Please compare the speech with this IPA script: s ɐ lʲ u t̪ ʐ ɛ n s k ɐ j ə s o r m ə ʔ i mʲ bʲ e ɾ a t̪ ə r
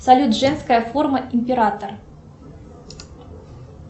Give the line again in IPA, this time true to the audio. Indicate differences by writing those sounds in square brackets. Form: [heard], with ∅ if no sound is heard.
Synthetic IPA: s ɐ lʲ u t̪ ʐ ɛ n s k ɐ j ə [f] o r m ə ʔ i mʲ [pʲ] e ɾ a t̪ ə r

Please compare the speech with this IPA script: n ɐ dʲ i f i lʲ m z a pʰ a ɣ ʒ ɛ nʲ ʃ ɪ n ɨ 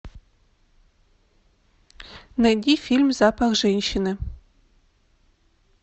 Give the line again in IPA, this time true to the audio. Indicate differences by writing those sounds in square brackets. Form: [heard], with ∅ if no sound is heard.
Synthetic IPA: n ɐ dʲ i f i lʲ m z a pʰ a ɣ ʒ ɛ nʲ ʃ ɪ n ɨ

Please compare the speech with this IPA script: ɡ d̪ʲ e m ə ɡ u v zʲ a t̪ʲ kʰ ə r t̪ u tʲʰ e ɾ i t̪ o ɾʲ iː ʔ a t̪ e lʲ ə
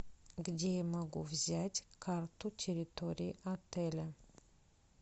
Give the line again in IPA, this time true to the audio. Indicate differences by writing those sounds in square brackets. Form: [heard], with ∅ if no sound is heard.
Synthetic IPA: ɡ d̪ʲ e m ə ɡ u v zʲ a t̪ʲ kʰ [a] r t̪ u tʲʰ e ɾ i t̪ o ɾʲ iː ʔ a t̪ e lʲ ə

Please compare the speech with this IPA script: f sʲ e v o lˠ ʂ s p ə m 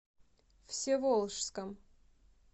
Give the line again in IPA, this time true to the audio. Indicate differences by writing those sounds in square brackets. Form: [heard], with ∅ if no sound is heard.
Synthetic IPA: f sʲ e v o lˠ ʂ s [k] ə m

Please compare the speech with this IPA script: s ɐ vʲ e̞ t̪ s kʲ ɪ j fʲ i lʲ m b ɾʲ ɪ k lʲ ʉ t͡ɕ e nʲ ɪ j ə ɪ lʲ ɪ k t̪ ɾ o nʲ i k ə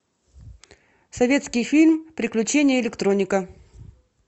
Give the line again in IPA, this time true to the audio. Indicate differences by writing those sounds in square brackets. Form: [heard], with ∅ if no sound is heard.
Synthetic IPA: s ɐ vʲ e̞ t̪ s kʲ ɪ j fʲ i lʲ m [p] ɾʲ ɪ k lʲ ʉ t͡ɕ e nʲ ɪ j ə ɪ lʲ ɪ k t̪ ɾ o nʲ [ɪ] k ə

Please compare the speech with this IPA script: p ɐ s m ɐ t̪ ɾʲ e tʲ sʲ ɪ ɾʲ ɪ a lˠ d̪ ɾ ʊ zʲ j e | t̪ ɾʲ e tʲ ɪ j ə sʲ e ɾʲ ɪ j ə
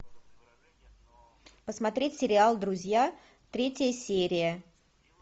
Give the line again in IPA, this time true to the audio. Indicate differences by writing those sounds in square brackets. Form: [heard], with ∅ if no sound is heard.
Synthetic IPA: p [ə] s m ɐ t̪ ɾʲ e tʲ sʲ ɪ ɾʲ ɪ a lˠ d̪ ɾ ʊ zʲ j [a] | t̪ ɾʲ e tʲ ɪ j ə sʲ e ɾʲ ɪ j ə

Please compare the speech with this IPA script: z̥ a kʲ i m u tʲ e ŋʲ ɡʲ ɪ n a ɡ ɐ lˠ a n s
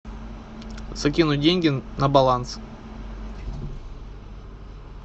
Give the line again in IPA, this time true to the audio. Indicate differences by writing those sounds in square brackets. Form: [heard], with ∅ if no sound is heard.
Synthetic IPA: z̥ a kʲ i [n] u [dʲ] e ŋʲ ɡʲ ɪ n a [b] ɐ lˠ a n s

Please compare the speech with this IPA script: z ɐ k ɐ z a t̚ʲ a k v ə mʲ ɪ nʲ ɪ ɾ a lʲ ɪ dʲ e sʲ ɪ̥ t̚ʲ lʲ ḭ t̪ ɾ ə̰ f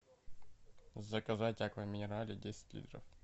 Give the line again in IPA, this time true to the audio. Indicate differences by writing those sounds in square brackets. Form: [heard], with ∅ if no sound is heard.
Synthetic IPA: z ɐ k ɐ z a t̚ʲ a k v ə mʲ ɪ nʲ ɪ ɾ a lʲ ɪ dʲ e sʲ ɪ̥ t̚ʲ lʲ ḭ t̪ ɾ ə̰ f

